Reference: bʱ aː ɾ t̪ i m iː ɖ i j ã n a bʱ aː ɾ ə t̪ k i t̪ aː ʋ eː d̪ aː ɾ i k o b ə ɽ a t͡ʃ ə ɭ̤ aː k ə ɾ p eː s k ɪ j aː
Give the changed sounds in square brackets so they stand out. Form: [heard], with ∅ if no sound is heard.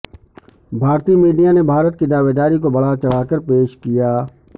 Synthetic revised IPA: bʱ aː ɾ t̪ i m iː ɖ i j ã n [e] bʱ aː ɾ ə t̪ k i [d̪] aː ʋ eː d̪ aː ɾ i k o b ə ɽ a t͡ʃ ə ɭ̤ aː k ə ɾ p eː [ʃ] k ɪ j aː